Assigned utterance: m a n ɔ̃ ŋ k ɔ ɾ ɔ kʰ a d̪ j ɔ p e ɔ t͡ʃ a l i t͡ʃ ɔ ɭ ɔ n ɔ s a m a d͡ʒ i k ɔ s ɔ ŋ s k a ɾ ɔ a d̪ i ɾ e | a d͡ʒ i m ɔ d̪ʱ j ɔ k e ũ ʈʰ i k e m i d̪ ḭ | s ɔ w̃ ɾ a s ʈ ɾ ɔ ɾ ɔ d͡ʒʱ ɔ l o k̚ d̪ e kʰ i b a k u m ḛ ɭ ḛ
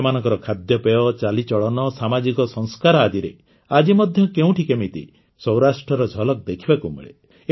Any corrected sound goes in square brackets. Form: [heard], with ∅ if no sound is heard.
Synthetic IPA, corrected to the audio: m a n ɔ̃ ŋ k ɔ ɾ ɔ kʰ a d̪ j ɔ p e ɔ t͡ʃ a l i t͡ʃ ɔ ɭ ɔ n ɔ s a m a d͡ʒ i k ɔ s ɔ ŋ s k a ɾ ɔ a d̪ i ɾ e | a d͡ʒ i m ɔ d̪ʱ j ɔ k e ũ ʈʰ i k e m i [t̪] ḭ | s ɔ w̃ ɾ a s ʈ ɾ ɔ ɾ ɔ d͡ʒʱ ɔ l [ɔ] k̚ d̪ e kʰ i b a k u m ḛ ɭ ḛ